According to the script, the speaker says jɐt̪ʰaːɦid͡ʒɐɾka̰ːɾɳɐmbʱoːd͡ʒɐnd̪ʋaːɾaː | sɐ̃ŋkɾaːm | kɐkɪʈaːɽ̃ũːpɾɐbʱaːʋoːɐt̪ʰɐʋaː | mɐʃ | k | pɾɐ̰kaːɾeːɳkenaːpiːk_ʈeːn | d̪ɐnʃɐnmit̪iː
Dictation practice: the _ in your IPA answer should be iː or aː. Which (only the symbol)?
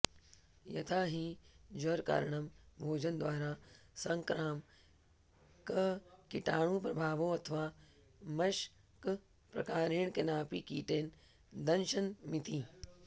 iː